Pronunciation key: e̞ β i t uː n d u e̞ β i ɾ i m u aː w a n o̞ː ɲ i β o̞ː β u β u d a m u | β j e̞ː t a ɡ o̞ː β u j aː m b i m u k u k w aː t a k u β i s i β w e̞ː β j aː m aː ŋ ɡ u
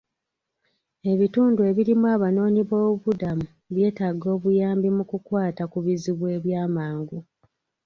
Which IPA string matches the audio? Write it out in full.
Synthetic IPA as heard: e̞ β i t uː n d u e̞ β i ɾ i m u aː β a n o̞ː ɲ i β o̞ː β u β u d a m u | β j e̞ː t a ɡ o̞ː β u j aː m b i m u k u k w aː t a k u β i z i β w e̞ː β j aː m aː ŋ ɡ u